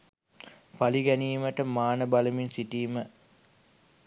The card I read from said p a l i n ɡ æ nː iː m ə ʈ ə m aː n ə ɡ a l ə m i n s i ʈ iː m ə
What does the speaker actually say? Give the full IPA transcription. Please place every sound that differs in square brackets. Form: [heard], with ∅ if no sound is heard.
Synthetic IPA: p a l i [∅] ɡ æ [n] iː m ə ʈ ə m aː n ə [b] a l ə m i n s i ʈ iː m ə